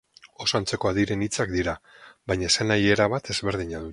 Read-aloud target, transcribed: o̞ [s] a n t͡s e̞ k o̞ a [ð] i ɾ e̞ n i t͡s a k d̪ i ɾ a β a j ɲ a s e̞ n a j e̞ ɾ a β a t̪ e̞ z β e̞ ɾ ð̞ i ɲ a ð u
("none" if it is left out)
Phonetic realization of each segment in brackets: s, ð

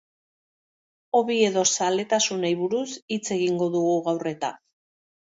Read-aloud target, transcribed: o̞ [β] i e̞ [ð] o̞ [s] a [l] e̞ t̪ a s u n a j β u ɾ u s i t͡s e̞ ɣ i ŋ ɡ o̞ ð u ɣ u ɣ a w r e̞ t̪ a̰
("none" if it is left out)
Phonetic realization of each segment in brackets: β, ð, s, l

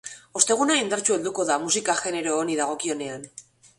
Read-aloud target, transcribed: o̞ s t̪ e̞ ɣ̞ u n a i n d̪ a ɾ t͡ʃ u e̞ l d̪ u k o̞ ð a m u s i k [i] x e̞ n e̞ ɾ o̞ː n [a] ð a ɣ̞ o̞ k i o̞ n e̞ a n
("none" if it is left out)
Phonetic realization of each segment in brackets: a, i

